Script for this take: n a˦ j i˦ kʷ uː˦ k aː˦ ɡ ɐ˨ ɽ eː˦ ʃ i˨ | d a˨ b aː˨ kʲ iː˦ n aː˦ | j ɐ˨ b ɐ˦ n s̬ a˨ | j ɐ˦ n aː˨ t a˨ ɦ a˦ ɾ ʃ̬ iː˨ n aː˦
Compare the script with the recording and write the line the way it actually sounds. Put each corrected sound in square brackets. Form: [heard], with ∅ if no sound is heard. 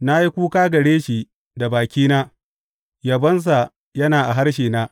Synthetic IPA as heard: n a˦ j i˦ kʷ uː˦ k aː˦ ɡ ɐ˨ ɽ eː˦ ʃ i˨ | d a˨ b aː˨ kʲ iː˦ n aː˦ | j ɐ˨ b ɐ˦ n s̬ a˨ | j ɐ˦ n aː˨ [ʔ] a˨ ɦ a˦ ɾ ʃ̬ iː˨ n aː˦